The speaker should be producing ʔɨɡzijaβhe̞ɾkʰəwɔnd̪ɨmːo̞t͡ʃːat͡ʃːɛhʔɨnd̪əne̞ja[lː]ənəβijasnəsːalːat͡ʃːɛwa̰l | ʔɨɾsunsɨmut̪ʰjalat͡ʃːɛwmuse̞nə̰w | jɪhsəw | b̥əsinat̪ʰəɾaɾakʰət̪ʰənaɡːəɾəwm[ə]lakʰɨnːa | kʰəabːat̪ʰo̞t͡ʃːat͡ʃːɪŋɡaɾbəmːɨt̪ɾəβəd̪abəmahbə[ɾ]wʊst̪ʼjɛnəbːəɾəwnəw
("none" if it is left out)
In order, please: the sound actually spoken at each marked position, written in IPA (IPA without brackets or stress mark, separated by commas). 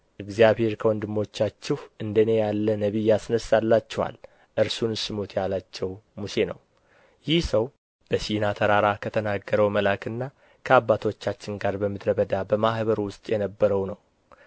lː, ə, ɾ